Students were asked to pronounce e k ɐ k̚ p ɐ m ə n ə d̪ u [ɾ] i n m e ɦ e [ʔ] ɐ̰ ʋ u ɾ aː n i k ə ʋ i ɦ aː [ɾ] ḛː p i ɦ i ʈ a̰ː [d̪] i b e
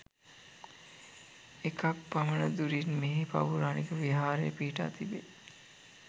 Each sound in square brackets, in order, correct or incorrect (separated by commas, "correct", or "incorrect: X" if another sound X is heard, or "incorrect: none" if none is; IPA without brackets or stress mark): correct, incorrect: p, correct, incorrect: t̪